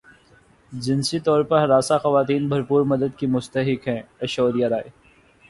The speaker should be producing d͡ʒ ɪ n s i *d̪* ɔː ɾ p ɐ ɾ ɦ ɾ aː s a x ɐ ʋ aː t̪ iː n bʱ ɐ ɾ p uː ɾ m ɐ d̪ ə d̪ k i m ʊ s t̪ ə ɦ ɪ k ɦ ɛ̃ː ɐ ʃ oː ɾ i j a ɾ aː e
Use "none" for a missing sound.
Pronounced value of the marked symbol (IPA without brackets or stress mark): t̪